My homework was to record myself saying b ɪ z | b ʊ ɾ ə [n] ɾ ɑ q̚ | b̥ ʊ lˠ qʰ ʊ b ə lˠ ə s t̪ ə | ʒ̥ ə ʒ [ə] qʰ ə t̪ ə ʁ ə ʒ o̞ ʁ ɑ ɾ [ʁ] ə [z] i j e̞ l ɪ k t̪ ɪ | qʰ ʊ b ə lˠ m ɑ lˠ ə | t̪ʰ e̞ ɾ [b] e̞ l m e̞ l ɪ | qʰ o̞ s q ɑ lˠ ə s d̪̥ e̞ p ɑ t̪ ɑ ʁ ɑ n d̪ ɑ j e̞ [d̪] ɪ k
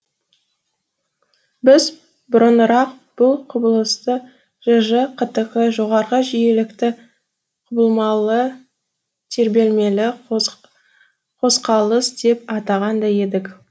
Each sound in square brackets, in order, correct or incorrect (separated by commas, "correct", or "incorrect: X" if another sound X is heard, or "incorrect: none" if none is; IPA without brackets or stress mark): correct, correct, correct, incorrect: ʒ, correct, correct